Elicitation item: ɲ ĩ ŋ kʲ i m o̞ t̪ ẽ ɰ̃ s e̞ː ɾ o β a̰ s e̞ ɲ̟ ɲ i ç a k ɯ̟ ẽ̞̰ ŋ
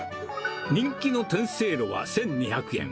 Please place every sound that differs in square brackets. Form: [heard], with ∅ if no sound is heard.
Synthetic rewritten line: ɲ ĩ ŋ kʲ i [n] o̞ t̪ ẽ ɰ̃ s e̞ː ɾ o β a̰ s [ẽ̞] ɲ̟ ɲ i ç a k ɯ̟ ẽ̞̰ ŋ